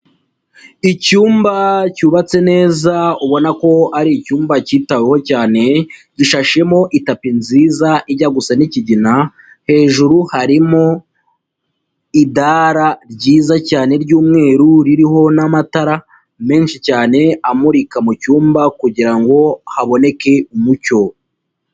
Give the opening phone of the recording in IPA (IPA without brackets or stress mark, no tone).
i